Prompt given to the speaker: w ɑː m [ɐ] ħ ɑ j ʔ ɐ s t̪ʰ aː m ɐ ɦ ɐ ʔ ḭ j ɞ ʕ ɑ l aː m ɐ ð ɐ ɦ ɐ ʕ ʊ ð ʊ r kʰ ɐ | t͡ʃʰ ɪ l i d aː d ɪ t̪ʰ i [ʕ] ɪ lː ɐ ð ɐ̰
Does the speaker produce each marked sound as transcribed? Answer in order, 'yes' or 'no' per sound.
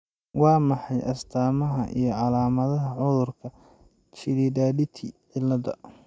no, yes

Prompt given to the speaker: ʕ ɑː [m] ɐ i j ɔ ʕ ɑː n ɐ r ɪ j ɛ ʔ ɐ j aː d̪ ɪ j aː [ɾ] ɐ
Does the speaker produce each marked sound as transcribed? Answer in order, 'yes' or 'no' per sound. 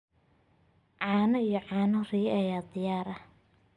no, yes

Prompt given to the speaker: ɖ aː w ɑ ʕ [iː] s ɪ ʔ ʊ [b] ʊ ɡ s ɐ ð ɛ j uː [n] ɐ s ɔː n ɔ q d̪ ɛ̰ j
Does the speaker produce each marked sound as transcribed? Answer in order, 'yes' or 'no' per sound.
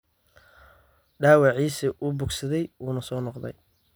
yes, yes, yes

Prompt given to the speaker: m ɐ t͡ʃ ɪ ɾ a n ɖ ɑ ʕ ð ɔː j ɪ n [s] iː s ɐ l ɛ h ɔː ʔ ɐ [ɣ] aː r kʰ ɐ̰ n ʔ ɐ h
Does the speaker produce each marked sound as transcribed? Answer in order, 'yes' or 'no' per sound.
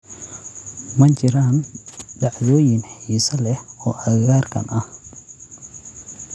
no, yes

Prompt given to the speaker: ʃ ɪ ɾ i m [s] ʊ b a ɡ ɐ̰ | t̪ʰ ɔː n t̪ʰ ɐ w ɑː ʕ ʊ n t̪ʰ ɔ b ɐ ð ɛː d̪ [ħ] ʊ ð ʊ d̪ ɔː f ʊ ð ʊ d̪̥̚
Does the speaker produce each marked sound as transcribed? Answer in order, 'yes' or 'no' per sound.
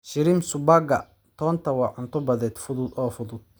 yes, no

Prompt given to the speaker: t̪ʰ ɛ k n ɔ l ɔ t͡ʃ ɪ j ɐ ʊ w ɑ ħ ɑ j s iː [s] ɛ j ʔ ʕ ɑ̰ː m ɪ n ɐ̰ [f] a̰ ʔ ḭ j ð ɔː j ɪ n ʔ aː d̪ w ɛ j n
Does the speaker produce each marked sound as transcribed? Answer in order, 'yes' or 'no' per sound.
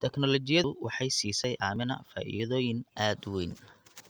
yes, yes

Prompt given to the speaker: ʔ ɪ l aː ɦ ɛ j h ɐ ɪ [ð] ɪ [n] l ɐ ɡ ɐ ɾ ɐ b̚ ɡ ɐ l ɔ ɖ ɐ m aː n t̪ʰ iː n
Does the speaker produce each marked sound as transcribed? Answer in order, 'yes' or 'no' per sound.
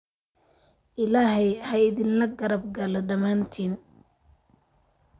yes, yes

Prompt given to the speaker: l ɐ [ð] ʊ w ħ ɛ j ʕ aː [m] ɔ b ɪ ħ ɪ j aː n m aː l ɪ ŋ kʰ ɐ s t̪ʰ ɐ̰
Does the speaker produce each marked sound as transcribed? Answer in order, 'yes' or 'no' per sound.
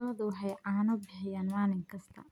yes, no

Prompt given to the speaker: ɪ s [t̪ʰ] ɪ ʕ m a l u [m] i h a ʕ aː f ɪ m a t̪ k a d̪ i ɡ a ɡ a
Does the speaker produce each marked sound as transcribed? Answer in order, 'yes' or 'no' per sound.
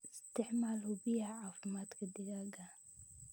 no, no

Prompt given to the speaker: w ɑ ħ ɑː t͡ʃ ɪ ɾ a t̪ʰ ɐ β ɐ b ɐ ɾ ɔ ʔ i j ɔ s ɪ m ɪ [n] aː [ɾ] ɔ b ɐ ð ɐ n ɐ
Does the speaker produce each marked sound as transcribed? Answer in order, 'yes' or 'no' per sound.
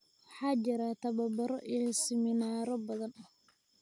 yes, yes

